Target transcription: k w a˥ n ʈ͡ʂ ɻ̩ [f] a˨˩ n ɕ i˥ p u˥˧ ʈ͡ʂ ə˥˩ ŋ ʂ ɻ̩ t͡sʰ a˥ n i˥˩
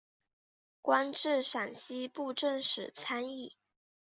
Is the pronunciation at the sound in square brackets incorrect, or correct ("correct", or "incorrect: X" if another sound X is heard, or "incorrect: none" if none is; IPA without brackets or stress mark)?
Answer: incorrect: ʂ